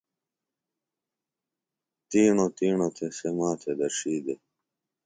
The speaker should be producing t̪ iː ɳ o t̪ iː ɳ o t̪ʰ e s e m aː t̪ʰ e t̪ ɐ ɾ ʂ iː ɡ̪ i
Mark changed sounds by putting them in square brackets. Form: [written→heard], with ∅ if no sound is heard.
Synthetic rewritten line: t̪ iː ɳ o t̪ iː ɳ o t̪ʰ e s e m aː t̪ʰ e [t̪→d̪] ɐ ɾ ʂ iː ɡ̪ [i→e]